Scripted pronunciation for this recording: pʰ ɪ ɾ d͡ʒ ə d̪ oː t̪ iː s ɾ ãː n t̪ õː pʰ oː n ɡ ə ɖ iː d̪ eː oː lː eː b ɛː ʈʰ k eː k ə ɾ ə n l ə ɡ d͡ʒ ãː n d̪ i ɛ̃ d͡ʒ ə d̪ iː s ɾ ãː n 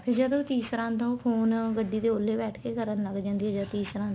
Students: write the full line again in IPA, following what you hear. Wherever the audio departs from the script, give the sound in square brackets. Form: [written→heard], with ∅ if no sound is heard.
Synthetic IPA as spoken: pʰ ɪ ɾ d͡ʒ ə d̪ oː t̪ iː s ɾ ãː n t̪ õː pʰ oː n ɡ ə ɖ iː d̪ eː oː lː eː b ɛː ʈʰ k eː k ə ɾ ə n l ə ɡ d͡ʒ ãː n d̪ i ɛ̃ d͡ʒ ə [d̪→t̪] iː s ɾ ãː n